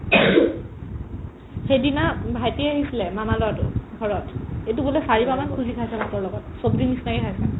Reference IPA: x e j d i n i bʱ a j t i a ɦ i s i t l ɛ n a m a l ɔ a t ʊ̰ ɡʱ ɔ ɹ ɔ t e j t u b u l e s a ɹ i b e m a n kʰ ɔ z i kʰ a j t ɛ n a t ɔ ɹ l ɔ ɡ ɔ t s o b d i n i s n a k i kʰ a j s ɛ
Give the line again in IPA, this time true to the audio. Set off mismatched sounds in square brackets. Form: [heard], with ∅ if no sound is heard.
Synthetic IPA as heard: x e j d i n [a] bʱ a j t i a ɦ i s i [∅] l ɛ [m] a m a l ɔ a t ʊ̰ ɡʱ ɔ ɹ ɔ t e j t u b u l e s a ɹ i b [a] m a n kʰ [u] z i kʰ a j [s] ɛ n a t ɔ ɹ l ɔ ɡ ɔ t s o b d i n i s n a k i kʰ a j s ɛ